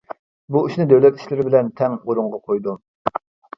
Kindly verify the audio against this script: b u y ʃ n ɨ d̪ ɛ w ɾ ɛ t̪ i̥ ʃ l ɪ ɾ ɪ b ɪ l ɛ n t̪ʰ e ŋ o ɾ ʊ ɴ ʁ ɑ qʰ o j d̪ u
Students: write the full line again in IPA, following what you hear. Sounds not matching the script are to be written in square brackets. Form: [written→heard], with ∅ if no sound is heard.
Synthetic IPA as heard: b u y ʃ n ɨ d̪ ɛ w [ɾ→l] ɛ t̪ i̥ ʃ l ɪ ɾ ɪ b ɪ l ɛ n t̪ʰ [e→ɛ] ŋ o ɾ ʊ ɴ ʁ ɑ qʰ o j d̪ u